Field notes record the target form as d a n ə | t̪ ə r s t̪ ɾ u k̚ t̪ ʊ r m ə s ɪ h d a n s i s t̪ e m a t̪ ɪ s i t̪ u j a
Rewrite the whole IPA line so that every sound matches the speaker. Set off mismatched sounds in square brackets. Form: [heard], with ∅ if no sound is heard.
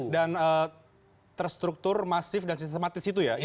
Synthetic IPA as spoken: d a n ə | t̪ ə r s t̪ ɾ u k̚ t̪ ʊ r m [a] s ɪ [f] d a n s i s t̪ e m a t̪ ɪ s i t̪ u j a